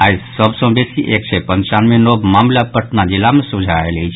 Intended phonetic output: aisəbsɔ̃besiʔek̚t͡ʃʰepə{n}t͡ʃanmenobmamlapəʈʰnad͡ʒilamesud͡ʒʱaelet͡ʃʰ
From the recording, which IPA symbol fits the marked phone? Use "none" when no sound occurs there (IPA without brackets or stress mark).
n